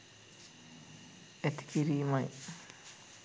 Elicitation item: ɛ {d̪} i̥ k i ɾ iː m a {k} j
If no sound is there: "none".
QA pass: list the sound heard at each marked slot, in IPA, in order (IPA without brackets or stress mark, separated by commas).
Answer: t̪, none